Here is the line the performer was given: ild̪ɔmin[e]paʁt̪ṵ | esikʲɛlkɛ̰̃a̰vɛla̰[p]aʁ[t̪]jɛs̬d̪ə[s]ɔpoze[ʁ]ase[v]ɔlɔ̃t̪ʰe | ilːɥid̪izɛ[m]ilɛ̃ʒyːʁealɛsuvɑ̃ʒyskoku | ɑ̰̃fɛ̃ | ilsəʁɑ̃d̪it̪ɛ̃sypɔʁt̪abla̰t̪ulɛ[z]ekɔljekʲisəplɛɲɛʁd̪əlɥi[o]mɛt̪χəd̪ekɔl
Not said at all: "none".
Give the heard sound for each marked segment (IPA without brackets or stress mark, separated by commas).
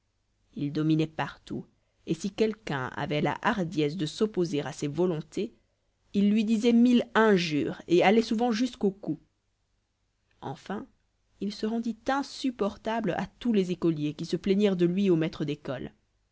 ɛ, ʔ, d̪, s, ʁ, v, m, z, o